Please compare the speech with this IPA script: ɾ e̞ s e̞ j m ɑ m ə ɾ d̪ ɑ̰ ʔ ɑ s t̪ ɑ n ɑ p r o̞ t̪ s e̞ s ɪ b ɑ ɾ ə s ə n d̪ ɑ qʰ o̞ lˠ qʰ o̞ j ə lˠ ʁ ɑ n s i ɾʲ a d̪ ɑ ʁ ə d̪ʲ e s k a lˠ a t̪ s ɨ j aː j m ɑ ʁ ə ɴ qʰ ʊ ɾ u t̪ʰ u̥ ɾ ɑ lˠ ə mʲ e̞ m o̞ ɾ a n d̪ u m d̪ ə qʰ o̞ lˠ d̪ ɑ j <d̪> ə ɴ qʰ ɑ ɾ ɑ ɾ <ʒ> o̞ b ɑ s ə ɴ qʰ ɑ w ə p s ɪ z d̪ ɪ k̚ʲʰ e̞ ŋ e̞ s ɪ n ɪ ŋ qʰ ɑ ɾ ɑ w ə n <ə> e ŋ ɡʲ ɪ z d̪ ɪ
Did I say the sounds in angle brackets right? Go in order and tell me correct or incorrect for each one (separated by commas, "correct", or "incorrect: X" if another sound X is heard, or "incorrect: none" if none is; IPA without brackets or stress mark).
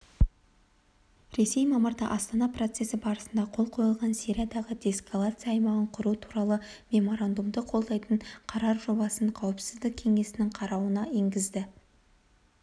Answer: incorrect: t̪, correct, incorrect: ɑ